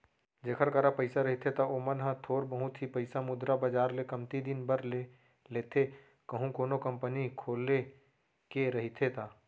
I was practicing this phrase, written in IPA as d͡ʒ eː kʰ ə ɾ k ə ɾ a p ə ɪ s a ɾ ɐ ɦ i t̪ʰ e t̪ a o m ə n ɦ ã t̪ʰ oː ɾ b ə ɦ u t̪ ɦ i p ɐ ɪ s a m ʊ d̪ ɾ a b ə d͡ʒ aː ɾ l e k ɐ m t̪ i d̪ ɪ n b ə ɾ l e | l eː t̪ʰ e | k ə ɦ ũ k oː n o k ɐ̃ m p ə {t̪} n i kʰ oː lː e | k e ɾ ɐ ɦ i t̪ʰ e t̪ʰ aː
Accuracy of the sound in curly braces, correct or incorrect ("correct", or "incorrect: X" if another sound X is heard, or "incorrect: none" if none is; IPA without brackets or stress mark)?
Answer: incorrect: none